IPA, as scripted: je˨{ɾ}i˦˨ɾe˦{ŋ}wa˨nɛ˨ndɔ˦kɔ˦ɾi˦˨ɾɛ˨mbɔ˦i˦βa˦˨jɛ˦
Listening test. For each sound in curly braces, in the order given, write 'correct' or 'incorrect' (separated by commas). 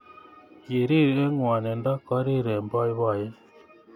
correct, correct